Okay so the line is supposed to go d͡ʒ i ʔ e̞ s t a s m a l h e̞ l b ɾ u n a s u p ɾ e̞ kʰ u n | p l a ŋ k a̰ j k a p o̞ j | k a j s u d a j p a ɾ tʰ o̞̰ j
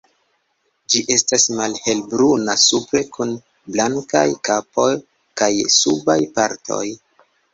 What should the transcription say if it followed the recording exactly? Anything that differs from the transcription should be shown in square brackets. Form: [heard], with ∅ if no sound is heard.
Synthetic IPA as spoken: d͡ʒ i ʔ e̞ s t a s m a l h e̞ l b ɾ u n a s u p ɾ e̞ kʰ u n | [b] l a ŋ k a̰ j k a p o̞ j | k a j s u [b] a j p a ɾ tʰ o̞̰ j